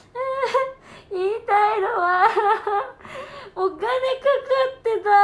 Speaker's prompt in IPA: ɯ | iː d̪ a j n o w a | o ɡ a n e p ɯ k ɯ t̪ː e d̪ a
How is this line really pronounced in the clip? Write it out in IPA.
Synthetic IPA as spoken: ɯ | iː t̪ a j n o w a | o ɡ a n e k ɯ k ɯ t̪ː e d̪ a